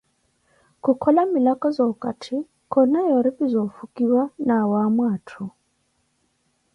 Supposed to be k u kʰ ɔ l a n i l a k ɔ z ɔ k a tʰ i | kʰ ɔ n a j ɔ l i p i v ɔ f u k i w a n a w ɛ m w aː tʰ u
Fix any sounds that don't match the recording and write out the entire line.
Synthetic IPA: k u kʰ ɔ l a m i l a k ɔ z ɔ k a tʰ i | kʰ ɔ n a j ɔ ɾ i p i z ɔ f u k i w a n a w a m w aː tʰ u

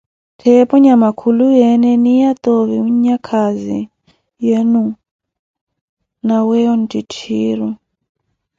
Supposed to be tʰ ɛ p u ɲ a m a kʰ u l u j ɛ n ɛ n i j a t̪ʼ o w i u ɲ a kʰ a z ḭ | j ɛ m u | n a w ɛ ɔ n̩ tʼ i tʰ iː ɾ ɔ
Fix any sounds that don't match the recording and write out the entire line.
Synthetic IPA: tʰ ɛ p ɔ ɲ a m a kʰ u l u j ɛ n ɛ n i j a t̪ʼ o β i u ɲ a kʰ a z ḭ | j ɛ n u | n a w ɛ ɔ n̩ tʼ i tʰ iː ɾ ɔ

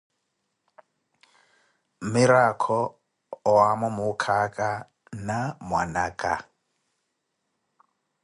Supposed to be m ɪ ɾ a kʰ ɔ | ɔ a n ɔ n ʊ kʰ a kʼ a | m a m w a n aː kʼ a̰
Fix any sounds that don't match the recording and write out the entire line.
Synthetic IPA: m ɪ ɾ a kʰ ɔ | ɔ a m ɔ m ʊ kʰ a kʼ a | n a m w a n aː kʼ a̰

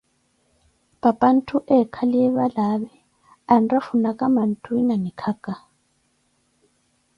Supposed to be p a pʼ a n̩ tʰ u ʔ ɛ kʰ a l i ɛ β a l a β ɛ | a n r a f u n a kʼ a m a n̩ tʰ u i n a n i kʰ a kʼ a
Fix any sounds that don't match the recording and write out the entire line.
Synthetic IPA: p a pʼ a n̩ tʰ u ʔ ɛ kʰ a l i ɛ β a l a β ɛ | a n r a f u n a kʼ a m a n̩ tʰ u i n a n i kʰ a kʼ a

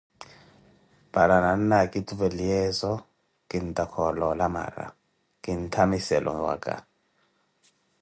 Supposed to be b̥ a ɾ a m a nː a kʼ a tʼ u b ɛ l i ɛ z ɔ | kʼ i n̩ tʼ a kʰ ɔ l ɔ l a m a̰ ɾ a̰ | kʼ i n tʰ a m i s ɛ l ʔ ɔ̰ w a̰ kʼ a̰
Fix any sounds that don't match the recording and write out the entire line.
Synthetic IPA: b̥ a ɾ a n a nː a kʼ i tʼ u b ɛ l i ɛ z ɔ | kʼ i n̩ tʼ a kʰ ɔ l ɔ l a m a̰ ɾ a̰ | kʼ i n tʰ a m i s ɛ l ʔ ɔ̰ w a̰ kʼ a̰

